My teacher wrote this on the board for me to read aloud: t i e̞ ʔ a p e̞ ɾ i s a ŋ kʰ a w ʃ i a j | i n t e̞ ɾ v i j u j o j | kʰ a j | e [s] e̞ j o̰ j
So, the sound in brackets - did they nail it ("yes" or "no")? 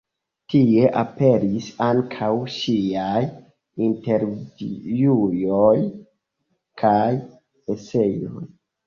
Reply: yes